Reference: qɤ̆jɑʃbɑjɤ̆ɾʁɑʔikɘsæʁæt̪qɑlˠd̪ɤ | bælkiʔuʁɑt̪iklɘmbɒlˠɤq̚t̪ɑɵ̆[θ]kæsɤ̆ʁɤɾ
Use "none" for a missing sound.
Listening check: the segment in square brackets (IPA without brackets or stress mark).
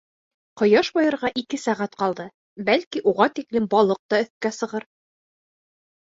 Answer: θ